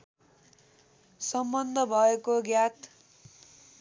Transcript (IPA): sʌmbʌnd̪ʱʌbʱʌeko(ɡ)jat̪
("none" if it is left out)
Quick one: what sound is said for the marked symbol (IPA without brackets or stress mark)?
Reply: ɡ